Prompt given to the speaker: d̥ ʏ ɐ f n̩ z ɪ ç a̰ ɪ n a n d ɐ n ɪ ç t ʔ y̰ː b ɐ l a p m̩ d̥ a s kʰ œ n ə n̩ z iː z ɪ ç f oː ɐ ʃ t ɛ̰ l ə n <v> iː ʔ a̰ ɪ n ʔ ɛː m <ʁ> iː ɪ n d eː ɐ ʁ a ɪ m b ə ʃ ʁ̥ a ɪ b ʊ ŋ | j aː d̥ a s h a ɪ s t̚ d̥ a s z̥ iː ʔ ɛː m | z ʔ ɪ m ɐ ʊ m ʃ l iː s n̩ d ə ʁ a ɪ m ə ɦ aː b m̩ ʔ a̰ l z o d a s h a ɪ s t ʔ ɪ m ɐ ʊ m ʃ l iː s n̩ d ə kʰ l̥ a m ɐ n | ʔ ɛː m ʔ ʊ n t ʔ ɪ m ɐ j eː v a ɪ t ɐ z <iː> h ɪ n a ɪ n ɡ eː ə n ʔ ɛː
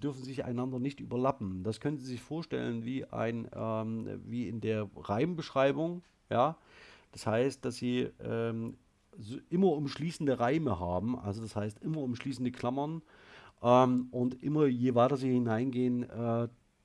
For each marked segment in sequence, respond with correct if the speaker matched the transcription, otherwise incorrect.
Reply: correct, incorrect: v, correct

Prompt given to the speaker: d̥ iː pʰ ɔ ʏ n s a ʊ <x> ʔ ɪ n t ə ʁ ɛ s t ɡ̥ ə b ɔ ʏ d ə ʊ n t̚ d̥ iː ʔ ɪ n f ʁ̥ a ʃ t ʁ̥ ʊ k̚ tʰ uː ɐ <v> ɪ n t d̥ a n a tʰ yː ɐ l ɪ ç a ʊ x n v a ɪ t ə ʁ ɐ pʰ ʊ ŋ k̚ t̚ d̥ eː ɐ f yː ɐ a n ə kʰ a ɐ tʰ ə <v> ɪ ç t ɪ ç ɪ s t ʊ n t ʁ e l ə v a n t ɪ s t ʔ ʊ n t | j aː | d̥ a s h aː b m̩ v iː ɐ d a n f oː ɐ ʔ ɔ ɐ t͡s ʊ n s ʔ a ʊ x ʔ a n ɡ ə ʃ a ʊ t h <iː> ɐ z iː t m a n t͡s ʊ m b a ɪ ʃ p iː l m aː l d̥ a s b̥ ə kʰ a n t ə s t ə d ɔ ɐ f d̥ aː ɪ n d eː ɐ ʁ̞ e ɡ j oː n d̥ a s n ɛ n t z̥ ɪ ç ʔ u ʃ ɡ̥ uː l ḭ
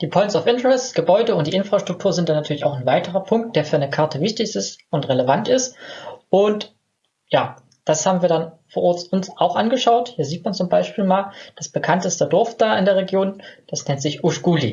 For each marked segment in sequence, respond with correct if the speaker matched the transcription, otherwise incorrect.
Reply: incorrect: f, incorrect: z, correct, correct

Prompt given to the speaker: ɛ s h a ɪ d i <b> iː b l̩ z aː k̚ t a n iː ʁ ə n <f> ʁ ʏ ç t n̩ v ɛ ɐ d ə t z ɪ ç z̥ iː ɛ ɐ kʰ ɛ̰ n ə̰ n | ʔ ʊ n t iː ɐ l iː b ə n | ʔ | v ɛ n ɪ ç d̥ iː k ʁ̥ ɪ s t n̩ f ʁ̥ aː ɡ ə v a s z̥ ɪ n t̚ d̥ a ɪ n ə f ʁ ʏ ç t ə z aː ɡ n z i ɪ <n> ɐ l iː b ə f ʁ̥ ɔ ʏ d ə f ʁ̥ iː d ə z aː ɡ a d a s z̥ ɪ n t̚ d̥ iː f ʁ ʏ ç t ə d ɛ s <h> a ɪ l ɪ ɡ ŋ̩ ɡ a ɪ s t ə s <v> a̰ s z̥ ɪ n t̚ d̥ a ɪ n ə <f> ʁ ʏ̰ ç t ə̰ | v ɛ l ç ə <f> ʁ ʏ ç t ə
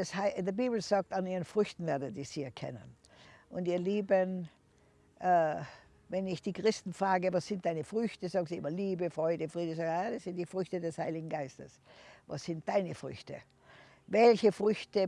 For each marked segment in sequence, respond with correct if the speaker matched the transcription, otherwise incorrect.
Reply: correct, correct, incorrect: m, correct, correct, correct, correct

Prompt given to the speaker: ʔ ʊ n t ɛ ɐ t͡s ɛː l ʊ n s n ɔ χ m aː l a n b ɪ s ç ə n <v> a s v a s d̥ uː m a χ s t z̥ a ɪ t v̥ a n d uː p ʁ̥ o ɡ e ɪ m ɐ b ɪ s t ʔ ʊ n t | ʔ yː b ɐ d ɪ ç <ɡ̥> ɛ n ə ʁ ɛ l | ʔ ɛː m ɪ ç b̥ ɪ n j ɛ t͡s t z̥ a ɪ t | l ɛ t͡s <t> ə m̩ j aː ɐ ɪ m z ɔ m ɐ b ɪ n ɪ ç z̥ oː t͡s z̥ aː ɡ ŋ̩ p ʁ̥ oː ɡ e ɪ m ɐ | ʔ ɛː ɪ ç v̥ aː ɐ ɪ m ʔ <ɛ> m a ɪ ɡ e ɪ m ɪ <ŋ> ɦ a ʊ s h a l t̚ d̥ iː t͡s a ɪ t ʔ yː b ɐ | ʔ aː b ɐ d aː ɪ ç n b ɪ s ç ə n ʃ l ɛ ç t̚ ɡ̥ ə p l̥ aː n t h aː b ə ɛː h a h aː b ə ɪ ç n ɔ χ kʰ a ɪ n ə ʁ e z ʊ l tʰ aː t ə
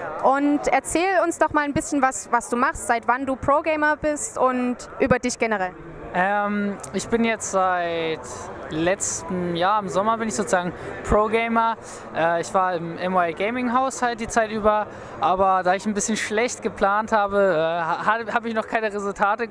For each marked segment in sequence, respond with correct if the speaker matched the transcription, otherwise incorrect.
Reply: correct, correct, correct, correct, correct

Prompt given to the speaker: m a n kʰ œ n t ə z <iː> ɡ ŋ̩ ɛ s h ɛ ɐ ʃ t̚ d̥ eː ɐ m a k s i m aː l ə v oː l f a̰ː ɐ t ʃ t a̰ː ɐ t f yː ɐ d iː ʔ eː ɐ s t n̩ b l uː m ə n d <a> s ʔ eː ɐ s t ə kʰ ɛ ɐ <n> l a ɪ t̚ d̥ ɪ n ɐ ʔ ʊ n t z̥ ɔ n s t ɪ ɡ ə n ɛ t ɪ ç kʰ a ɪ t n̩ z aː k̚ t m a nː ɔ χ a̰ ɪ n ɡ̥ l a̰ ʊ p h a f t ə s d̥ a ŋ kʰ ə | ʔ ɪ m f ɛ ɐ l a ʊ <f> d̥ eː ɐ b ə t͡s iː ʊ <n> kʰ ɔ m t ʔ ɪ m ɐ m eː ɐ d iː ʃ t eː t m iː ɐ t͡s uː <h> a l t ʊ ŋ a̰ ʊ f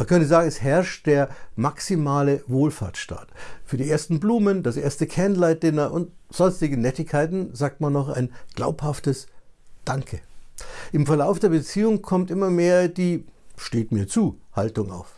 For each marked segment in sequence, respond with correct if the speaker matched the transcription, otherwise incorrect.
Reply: incorrect: aː, correct, correct, correct, incorrect: ŋ, correct

